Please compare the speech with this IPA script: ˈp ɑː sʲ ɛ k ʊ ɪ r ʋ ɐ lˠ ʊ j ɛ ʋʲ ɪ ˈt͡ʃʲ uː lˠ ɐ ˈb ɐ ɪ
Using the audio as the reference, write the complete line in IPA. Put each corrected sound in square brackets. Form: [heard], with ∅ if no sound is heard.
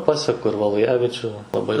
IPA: ˈp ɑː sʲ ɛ k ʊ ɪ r ʋ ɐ lˠ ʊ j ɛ ʋʲ ɪ ˈt͡ʃʲ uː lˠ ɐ ˈb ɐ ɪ